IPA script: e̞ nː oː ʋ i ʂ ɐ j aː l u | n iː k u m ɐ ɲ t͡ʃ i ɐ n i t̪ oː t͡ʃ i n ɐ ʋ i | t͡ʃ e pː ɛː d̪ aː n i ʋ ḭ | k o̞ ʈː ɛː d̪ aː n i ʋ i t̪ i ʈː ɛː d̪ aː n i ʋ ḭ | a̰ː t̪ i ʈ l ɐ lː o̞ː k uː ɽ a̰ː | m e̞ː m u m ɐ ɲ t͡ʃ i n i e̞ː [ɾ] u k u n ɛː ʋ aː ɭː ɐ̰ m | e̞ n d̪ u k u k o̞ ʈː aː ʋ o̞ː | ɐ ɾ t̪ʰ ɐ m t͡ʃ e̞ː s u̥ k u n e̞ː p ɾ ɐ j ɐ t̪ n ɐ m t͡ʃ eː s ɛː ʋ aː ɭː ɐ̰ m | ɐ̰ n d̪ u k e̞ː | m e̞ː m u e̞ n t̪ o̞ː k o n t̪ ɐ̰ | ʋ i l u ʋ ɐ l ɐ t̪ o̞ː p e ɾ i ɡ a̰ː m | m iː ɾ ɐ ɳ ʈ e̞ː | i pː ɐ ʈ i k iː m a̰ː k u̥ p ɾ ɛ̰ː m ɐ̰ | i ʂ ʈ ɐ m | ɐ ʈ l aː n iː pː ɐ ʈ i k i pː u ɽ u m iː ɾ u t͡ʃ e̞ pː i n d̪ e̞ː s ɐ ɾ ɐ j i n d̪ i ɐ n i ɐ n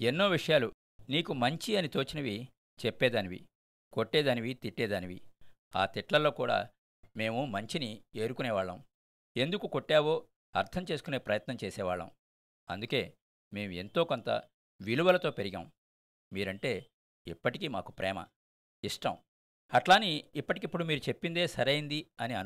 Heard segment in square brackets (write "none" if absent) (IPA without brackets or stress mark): ɾ